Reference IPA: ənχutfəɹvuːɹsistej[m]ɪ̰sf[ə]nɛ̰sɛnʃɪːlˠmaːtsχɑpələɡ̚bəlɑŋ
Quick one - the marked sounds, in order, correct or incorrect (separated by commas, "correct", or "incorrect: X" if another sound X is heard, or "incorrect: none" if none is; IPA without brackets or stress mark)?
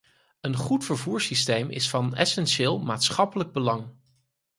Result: correct, incorrect: ɑ